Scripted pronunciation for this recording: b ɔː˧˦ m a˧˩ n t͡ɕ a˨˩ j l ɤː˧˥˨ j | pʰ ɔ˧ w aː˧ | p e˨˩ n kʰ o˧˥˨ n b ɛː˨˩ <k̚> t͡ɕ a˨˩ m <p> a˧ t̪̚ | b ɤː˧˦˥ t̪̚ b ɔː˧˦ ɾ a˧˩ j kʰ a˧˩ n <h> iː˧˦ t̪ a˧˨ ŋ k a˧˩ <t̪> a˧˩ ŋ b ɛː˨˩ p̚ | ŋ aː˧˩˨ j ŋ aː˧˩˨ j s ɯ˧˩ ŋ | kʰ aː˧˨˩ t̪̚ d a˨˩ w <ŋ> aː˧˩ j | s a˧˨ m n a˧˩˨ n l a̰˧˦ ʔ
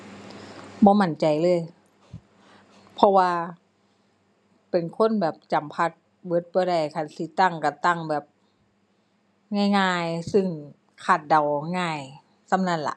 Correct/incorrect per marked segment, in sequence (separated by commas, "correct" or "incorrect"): incorrect, incorrect, incorrect, correct, correct